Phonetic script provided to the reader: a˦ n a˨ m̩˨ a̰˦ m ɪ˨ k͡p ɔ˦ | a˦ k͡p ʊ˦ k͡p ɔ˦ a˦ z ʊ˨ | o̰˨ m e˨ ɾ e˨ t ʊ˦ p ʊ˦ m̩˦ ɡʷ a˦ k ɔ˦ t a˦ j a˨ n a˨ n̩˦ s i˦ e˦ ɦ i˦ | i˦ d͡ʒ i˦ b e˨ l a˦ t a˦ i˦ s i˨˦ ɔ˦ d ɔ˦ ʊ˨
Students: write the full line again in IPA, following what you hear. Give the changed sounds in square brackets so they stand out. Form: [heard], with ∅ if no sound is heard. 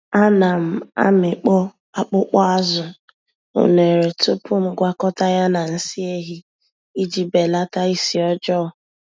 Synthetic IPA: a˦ n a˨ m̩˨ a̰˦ m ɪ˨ k͡p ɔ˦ | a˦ k͡p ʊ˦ k͡p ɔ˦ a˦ z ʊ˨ | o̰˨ [n] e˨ ɾ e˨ t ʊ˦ p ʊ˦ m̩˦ ɡʷ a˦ k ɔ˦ t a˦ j [a˦] n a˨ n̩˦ s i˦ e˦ ɦ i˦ | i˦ d͡ʒ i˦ b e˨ l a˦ t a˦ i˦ s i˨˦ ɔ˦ [d͡ʒ] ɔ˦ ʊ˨